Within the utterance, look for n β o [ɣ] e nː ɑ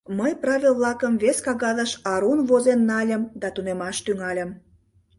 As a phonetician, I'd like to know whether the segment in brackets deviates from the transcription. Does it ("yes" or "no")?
yes